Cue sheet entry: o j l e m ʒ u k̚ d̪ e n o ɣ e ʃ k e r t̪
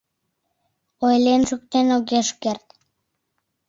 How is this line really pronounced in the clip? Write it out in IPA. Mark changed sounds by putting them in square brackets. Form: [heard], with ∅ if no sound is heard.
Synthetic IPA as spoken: o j l e [n] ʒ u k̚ [t̪] e n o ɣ e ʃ k e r t̪